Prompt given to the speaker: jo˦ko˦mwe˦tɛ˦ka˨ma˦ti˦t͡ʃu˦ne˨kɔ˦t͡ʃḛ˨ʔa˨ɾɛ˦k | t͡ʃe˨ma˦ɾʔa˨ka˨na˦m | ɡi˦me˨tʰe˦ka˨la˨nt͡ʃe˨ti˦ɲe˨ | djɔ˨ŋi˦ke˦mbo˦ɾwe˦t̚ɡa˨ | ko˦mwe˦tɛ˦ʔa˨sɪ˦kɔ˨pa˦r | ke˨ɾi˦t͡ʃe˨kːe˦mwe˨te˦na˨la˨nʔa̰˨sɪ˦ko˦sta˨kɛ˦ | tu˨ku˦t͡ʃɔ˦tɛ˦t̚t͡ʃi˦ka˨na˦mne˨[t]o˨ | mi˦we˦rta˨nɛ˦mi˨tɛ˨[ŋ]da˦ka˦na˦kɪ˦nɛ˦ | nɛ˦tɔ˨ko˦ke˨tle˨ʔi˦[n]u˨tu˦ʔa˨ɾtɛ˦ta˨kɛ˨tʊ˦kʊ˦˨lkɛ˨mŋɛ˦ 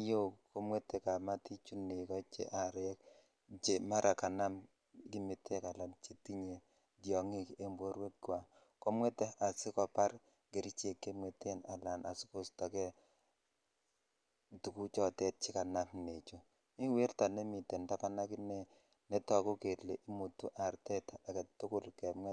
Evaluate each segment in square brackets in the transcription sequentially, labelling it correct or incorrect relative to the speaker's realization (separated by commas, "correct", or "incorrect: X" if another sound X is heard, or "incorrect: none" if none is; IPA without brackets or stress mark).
incorrect: t͡ʃ, incorrect: n, incorrect: m